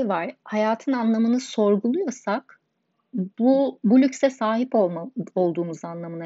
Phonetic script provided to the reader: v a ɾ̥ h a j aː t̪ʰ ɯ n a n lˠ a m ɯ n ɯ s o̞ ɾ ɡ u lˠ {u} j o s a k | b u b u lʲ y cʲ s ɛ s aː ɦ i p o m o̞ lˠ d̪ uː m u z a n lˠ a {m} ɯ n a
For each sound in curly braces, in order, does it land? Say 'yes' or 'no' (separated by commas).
yes, yes